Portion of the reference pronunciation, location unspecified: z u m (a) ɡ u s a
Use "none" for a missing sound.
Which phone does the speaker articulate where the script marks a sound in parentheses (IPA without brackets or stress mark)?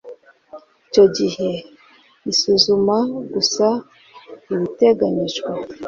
a